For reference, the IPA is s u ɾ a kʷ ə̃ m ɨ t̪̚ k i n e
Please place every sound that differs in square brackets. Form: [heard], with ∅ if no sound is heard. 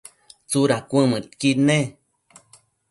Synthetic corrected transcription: [t͡s] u ɾ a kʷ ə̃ m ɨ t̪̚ k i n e